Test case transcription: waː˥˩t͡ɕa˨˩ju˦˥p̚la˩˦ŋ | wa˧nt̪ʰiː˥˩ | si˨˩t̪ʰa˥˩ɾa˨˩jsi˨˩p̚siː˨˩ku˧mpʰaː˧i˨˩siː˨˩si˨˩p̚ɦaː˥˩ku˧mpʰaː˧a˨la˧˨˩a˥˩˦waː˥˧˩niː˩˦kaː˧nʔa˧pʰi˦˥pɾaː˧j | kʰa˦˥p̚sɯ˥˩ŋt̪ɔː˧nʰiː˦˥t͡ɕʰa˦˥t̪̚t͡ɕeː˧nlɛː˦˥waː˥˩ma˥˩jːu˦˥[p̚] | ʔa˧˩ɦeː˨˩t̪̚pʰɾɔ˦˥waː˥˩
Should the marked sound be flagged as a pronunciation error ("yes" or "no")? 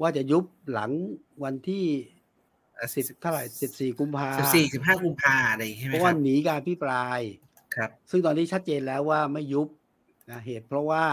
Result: no